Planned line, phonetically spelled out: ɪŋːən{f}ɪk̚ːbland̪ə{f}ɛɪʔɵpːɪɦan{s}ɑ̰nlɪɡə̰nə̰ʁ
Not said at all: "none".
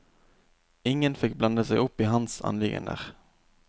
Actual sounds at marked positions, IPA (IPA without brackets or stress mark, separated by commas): f, s, s